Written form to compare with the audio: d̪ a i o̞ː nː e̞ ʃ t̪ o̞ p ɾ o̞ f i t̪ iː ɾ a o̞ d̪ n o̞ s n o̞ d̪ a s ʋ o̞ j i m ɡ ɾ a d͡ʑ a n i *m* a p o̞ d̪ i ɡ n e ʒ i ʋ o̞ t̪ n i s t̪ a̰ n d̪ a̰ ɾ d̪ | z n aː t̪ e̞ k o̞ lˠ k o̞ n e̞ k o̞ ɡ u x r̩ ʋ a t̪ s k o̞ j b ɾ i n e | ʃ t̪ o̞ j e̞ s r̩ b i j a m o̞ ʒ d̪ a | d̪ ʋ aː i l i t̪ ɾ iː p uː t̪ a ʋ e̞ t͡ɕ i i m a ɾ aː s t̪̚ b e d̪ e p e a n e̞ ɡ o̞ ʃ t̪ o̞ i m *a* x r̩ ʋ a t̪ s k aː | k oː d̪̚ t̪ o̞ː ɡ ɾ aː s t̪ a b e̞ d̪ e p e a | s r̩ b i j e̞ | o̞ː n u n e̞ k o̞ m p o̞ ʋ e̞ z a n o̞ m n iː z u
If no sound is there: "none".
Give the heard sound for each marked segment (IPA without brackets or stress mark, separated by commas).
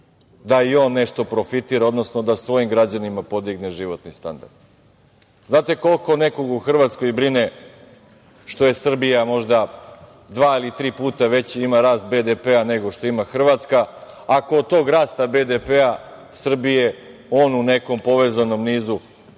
m, a